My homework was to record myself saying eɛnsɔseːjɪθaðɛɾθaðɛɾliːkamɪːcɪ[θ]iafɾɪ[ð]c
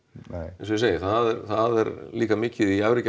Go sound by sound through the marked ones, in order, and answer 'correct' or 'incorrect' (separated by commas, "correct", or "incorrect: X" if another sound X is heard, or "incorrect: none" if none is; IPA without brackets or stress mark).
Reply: incorrect: ð, incorrect: none